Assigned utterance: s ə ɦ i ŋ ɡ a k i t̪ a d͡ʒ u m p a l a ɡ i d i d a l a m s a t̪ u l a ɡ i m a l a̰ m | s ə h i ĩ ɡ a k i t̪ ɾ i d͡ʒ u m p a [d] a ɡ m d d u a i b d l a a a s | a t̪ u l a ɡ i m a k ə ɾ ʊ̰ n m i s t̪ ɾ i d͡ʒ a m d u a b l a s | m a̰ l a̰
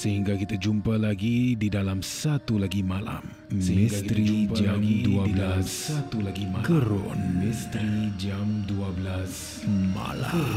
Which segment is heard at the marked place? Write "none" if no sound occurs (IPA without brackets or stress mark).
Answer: d͡ʒ